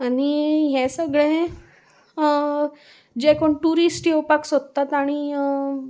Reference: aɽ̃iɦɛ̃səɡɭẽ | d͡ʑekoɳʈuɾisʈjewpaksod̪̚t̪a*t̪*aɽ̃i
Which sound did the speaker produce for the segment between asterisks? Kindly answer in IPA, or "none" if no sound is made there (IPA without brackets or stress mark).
t̪